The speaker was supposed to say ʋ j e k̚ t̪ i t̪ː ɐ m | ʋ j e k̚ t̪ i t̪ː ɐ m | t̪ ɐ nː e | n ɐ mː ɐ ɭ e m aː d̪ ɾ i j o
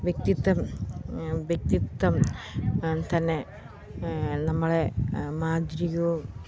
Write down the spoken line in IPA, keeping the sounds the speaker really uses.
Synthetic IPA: ʋ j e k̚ t̪ i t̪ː ɐ m | ʋ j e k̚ t̪ i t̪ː ɐ m | t̪ ɐ nː e | n ɐ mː ɐ ɭ e m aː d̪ ɾ i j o